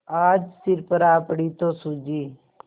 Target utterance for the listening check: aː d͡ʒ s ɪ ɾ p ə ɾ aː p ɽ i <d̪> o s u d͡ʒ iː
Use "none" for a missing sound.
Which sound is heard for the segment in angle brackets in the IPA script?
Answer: t̪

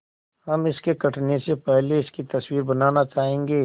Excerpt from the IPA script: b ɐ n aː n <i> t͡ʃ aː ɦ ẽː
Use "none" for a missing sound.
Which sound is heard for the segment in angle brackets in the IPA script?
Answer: a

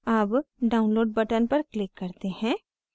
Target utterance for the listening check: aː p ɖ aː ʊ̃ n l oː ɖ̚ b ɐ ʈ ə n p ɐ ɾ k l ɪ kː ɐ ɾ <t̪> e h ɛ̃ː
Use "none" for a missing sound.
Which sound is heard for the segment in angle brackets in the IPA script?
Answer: t̪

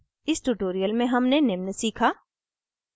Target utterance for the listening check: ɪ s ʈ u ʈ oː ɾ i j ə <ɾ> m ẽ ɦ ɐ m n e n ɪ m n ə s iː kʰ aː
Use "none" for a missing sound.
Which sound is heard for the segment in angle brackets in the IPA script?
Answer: l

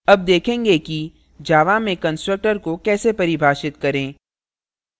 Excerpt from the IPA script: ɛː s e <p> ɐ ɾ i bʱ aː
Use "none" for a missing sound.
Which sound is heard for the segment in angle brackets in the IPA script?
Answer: p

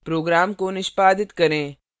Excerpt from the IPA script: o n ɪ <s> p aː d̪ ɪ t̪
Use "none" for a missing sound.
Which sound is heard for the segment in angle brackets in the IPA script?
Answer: ʃ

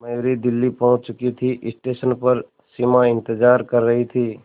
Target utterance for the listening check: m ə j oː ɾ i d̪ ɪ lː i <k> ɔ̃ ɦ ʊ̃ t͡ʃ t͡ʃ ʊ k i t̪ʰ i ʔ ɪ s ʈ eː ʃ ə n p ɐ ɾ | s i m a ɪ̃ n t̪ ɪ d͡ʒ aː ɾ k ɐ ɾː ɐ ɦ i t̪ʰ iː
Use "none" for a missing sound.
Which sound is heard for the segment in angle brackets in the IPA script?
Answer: p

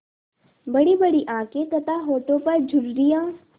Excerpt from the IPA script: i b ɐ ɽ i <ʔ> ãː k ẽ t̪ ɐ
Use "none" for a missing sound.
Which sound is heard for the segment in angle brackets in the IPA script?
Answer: ʔ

